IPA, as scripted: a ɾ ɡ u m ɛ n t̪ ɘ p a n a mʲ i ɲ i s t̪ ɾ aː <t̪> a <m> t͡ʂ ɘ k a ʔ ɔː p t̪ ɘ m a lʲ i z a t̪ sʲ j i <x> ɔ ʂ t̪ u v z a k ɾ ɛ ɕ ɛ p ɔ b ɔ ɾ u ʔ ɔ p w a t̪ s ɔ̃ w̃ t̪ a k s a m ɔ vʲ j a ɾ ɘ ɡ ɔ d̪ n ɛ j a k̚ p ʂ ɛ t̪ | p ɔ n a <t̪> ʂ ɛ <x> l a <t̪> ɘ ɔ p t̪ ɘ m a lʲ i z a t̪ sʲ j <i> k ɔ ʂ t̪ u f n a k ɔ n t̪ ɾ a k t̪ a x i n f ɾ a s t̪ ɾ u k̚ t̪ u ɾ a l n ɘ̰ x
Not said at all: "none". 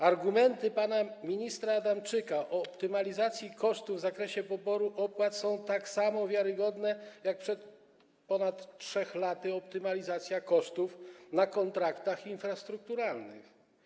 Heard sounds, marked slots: d̪, m, k, t̪, x, t̪, a

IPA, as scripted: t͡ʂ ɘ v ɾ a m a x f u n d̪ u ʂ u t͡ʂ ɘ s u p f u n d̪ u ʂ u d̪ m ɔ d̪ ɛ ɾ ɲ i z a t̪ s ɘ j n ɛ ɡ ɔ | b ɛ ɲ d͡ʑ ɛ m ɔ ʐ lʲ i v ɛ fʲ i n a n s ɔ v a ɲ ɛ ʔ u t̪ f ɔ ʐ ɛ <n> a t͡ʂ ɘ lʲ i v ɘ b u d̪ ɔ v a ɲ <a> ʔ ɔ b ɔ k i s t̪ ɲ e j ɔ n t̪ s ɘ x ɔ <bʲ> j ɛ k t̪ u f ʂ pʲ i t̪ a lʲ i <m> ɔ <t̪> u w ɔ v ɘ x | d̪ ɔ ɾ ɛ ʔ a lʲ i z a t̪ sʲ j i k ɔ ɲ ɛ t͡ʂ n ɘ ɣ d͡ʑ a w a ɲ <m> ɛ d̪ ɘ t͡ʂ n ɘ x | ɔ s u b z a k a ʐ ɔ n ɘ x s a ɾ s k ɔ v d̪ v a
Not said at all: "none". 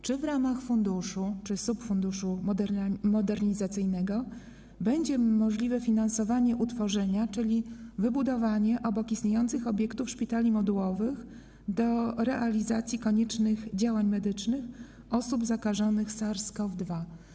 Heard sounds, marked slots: ɲ, ɛ, bʲ, m, d̪, m

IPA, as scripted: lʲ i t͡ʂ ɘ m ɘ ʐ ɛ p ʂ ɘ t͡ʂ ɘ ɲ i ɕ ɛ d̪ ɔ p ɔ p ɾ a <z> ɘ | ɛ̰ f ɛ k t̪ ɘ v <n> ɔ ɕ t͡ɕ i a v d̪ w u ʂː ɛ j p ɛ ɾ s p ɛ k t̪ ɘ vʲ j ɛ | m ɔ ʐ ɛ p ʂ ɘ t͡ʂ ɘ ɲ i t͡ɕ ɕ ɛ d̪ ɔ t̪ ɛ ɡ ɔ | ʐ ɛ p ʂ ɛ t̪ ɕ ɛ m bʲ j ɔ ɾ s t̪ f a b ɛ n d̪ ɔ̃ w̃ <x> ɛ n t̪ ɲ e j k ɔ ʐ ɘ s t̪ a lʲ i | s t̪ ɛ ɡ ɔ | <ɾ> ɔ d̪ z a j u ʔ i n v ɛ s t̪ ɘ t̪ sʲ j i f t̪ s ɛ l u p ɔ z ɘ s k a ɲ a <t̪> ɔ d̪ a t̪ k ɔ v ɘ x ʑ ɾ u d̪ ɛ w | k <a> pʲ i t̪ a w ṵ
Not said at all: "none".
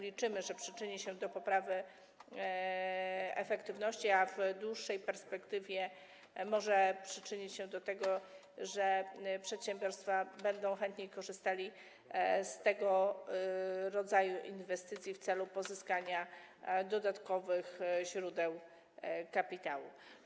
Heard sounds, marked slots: v, n, x, ɾ, d̪, a

